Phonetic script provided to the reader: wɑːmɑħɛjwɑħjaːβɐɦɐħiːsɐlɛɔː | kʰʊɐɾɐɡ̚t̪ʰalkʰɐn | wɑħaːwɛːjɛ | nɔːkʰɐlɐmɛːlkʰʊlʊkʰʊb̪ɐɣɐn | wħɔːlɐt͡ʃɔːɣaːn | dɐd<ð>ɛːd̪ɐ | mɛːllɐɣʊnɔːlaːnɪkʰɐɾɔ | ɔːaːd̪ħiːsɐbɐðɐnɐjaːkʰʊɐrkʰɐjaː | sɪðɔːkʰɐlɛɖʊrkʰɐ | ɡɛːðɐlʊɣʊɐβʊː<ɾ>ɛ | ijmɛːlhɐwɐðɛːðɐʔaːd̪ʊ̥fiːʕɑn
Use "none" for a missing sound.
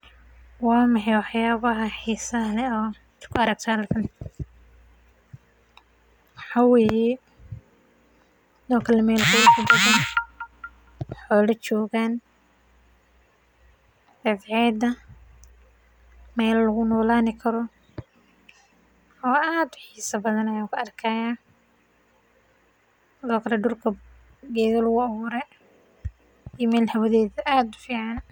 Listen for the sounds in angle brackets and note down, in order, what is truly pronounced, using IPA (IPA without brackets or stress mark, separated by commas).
ʕ, ɾ